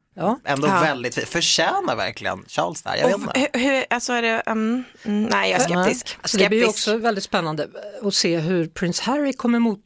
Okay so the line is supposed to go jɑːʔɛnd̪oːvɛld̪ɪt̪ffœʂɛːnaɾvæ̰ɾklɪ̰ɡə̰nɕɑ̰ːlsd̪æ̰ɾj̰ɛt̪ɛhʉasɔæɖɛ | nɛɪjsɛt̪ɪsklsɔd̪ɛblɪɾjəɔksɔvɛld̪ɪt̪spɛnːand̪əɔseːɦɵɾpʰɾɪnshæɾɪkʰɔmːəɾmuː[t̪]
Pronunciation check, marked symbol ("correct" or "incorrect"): correct